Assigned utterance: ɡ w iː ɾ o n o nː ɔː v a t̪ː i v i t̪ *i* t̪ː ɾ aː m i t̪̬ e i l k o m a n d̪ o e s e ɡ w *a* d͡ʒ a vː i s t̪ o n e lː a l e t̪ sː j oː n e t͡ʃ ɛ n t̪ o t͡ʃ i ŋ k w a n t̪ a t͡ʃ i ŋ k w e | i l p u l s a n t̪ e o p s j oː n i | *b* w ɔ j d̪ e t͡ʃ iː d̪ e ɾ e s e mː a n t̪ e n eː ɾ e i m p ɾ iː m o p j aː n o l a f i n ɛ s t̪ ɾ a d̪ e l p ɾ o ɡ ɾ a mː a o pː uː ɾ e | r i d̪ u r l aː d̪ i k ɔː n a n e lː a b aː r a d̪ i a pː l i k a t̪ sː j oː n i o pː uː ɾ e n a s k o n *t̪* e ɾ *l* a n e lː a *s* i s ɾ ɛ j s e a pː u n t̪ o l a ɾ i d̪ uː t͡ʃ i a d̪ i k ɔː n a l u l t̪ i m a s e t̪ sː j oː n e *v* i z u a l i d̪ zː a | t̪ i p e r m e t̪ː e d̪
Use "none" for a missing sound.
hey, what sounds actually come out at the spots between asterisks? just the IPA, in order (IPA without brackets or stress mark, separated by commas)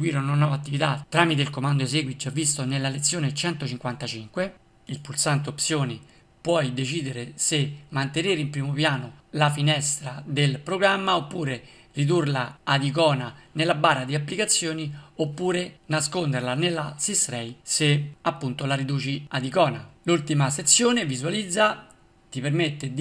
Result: a, i, p, d̪, l, s, v